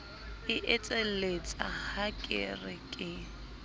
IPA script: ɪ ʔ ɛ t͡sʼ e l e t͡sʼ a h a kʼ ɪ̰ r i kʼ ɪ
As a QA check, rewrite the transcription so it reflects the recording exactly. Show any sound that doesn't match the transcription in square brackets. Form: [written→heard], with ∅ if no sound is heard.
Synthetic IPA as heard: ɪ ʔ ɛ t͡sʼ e l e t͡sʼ a h a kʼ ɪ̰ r [i→ɪ] kʼ ɪ